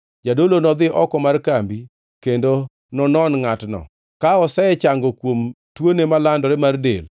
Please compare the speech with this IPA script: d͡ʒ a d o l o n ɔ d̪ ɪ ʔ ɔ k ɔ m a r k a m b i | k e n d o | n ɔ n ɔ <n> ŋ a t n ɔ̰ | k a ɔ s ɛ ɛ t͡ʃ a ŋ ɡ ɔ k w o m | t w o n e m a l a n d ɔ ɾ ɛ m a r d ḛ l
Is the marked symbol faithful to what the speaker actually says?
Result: yes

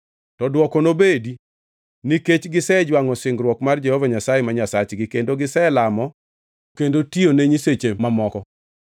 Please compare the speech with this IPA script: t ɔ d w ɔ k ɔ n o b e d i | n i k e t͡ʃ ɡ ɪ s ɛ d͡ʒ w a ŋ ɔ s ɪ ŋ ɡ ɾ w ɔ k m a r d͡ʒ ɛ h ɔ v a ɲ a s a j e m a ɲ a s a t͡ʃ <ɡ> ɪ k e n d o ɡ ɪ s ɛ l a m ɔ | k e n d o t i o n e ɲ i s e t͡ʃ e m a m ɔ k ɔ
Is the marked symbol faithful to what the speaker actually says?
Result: yes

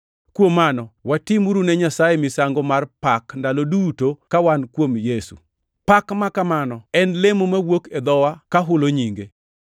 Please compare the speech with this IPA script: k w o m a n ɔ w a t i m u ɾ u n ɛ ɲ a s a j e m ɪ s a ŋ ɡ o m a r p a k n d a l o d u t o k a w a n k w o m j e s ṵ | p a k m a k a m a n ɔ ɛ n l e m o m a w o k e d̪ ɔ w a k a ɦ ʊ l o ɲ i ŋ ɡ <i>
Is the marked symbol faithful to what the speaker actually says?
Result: no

